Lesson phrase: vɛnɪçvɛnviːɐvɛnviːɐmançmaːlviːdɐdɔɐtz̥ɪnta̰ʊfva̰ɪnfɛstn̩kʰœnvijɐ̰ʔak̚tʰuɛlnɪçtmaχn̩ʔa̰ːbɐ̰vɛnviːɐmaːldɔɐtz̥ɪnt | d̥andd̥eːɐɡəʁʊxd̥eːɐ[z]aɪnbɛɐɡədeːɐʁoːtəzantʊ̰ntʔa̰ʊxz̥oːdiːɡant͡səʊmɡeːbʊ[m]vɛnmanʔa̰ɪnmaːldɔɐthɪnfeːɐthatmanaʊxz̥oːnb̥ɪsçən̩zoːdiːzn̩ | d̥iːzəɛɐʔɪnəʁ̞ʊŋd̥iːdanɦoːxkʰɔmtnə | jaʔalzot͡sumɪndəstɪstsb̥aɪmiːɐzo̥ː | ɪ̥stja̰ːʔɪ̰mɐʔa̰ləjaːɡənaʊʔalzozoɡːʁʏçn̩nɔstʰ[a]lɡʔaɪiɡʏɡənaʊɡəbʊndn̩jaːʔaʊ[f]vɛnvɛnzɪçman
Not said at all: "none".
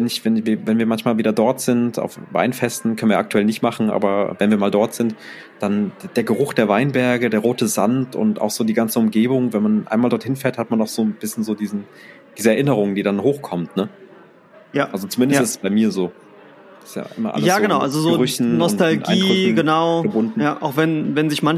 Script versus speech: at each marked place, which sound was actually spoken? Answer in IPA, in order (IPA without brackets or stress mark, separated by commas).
v, ŋ, a, x